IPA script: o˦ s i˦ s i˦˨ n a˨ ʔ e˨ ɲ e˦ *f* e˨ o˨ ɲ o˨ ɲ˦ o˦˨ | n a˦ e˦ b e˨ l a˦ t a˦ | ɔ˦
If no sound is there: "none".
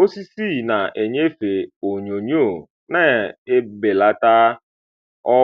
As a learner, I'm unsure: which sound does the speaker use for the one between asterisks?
f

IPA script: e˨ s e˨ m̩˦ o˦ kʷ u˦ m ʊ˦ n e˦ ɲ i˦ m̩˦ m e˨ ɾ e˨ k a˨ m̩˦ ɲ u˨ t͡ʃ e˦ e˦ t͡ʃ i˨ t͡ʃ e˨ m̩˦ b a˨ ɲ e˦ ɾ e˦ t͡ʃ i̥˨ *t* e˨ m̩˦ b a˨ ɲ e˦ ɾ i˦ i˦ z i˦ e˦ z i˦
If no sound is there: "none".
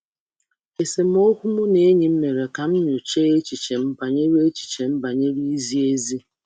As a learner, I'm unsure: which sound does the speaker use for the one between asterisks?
t͡ʃ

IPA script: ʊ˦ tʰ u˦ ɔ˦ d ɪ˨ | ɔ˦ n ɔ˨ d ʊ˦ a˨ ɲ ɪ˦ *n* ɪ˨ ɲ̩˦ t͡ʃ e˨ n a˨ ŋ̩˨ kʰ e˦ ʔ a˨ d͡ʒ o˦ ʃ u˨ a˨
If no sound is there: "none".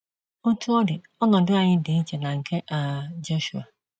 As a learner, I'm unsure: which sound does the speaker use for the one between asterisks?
d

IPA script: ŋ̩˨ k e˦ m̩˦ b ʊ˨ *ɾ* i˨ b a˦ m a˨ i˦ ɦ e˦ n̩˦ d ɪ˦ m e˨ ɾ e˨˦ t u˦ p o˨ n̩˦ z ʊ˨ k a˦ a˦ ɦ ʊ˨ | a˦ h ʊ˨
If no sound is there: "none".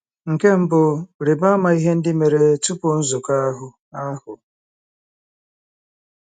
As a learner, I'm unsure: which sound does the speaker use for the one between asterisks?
ɾ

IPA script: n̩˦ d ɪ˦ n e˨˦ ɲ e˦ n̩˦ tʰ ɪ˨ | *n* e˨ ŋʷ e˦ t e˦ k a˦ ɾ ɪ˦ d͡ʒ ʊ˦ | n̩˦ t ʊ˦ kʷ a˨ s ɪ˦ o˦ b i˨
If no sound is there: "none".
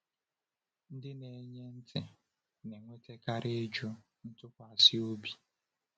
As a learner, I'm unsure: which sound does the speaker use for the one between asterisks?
n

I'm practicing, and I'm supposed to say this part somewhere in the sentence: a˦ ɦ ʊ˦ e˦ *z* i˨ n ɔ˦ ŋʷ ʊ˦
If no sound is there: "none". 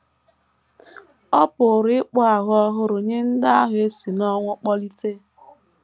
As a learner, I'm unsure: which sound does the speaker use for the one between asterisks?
s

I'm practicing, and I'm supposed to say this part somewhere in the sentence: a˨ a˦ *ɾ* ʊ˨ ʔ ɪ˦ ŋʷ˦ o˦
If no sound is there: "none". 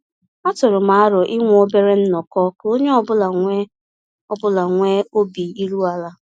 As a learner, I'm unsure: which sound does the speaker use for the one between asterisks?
ɾ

